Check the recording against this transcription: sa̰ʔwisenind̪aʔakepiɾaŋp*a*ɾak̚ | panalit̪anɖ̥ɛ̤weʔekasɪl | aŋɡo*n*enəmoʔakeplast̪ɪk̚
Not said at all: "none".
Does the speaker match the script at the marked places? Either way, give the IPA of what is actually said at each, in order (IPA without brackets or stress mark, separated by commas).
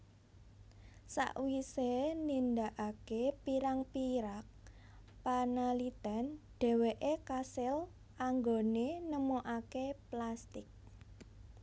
i, n